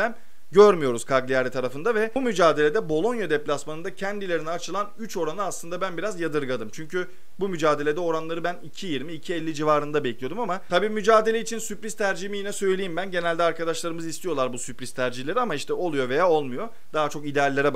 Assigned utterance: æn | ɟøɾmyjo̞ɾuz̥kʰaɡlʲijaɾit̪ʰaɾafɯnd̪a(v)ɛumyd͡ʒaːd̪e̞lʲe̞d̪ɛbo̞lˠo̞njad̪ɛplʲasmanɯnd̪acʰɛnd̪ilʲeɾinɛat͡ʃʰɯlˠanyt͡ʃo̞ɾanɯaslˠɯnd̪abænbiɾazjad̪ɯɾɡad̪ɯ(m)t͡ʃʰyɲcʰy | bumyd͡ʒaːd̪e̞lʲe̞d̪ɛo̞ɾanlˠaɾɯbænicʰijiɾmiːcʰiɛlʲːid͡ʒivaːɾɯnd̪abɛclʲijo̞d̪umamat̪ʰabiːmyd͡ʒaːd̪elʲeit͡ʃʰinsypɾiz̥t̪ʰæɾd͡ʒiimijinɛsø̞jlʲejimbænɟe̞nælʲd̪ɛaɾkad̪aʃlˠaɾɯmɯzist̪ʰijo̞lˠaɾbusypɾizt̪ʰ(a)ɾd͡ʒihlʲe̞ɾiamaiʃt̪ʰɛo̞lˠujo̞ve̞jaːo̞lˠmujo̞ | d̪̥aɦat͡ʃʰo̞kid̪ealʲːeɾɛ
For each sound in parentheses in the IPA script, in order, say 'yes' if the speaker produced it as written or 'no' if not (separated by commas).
yes, yes, no